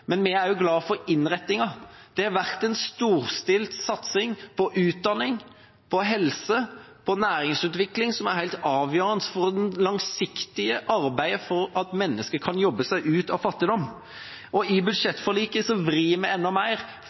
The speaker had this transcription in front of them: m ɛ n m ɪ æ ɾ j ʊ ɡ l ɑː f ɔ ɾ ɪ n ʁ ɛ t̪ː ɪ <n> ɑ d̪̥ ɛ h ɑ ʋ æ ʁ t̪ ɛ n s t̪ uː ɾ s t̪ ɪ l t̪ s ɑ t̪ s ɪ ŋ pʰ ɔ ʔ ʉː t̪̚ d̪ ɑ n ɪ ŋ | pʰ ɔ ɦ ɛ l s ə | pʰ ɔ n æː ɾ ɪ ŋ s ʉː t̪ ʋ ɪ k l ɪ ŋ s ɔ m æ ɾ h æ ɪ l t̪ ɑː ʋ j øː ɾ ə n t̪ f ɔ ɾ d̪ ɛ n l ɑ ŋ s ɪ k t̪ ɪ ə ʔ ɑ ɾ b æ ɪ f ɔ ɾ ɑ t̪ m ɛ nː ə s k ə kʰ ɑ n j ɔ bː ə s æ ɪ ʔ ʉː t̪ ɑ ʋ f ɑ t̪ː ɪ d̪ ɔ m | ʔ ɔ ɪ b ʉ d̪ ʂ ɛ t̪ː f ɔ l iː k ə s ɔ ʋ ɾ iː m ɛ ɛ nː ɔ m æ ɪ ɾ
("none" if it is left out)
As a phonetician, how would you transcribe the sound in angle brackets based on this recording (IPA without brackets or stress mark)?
ŋ